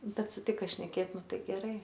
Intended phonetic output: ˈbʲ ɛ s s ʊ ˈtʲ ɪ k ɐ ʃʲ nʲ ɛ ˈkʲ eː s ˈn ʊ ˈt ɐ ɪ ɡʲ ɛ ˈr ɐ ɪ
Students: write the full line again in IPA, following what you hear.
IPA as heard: ˈbʲ ɛ t s ʊ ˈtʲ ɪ k ɐ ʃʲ nʲ ɛ ˈkʲ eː t ˈn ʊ ˈt ɐ ɪ ɡʲ ɛ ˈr ɐ ɪ